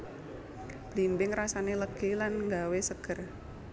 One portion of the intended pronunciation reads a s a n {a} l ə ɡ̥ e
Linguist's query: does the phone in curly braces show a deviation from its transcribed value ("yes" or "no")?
yes